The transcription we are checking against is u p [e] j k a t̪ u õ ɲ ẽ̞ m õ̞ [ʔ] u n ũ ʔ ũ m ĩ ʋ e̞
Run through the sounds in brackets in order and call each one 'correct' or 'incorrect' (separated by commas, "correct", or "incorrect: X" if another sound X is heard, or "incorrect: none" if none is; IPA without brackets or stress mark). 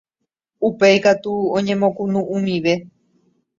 correct, incorrect: k